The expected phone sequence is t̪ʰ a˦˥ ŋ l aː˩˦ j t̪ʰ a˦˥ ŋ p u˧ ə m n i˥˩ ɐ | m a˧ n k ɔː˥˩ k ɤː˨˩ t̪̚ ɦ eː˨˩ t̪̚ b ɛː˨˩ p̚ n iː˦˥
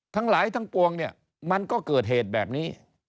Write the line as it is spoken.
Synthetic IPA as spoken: t̪ʰ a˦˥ ŋ l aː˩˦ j t̪ʰ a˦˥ ŋ p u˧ ə ŋ n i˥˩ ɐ | m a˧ n k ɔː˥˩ k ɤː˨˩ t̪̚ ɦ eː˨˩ t̪̚ b ɛː˨˩ p̚ n iː˦˥